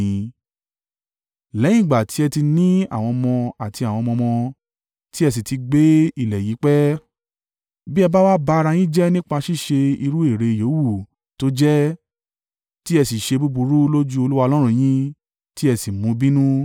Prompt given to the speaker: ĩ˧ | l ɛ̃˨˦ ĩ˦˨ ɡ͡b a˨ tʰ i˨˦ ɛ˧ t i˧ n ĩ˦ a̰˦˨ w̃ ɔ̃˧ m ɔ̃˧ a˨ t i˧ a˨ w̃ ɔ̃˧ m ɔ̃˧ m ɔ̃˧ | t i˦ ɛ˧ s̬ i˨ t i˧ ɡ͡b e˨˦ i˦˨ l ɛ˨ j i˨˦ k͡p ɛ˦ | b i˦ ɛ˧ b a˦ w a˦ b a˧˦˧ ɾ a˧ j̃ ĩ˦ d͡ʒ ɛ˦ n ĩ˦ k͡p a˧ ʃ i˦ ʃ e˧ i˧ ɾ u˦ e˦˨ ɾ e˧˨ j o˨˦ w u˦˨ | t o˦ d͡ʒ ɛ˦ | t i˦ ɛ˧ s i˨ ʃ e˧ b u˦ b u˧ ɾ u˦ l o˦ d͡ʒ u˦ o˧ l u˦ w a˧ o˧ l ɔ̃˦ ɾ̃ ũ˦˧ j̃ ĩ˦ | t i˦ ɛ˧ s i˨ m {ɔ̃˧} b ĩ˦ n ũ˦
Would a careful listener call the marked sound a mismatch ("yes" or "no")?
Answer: yes